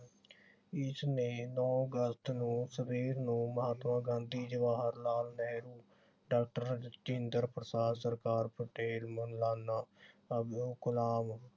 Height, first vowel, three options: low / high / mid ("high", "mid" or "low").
high